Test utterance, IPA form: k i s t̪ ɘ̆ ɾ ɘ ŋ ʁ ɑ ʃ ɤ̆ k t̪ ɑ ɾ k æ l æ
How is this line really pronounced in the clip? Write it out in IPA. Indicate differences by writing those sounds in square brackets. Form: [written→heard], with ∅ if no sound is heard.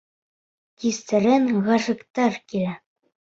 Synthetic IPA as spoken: k i s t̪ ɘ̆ ɾ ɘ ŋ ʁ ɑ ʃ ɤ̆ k t̪ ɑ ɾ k [æ→i] l æ